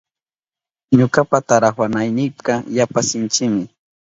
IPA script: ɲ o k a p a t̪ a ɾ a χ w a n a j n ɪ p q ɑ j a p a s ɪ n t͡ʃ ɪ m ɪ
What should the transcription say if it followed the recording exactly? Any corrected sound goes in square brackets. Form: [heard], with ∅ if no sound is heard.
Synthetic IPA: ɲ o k a p a t̪ a ɾ a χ w a n a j n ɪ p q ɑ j a p a s ɪ n t͡ʃ ɪ m ɪ